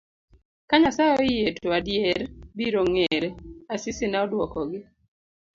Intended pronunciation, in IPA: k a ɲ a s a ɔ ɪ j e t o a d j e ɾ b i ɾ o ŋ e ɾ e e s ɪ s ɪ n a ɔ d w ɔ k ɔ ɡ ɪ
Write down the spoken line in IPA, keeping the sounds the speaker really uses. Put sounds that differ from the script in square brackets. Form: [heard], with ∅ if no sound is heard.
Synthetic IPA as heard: k a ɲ a s a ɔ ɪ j e t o a d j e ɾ b i ɾ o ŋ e ɾ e [a] s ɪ s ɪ n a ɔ d w ɔ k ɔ ɡ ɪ